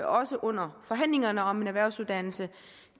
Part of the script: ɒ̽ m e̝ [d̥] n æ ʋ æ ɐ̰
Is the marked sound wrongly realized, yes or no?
yes